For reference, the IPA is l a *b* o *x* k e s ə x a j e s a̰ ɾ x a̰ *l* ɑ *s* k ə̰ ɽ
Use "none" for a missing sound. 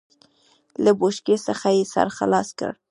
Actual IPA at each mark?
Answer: b, ʃ, l, s

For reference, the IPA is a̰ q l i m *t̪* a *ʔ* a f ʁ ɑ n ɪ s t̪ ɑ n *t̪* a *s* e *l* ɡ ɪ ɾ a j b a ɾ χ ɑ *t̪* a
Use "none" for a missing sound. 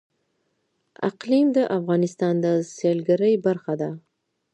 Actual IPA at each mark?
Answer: d̪, ʔ, d̪, s, l, d̪

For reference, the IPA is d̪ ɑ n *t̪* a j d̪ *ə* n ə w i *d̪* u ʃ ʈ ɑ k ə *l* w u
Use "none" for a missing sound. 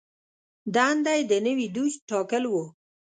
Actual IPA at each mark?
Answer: d̪, ə, d̪, l

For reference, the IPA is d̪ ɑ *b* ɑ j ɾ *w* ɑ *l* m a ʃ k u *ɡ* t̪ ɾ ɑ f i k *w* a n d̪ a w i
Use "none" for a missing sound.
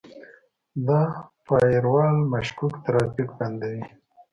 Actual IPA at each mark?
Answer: p, w, l, k, b

